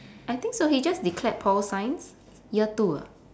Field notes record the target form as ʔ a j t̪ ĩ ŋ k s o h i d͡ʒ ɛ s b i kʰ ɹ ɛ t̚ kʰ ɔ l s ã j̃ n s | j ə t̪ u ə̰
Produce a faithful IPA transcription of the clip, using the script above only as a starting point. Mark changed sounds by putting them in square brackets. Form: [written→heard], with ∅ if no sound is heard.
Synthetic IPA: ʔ a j t̪ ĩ ŋ k s o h i d͡ʒ [ɛ→a] s [b→d] i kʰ [ɹ→l] ɛ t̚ [kʰ→pʰ] ɔ l s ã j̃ n s | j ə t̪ u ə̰